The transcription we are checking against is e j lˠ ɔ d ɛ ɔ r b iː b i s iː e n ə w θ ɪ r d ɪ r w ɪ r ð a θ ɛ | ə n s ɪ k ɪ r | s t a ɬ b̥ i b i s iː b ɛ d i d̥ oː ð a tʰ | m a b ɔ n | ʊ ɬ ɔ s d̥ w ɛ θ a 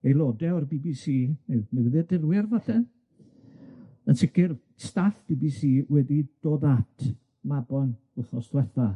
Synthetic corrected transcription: e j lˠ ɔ d ɛ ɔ r b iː b i s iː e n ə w ð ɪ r d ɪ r w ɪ r v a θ ɛ | ə n s ɪ k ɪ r | s t a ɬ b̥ i b i s iː w ɛ d i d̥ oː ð a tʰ | m a b ɔ n | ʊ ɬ ɔ s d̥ w ɛ θ a